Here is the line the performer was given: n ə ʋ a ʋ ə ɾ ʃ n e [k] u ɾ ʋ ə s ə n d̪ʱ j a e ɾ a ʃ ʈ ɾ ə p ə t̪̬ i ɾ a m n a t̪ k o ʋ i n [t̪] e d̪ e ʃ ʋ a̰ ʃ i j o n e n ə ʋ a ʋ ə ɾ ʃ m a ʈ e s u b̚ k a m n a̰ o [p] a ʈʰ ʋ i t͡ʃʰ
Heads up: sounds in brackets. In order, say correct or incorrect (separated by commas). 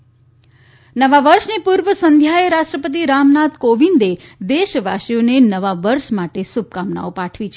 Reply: incorrect, incorrect, correct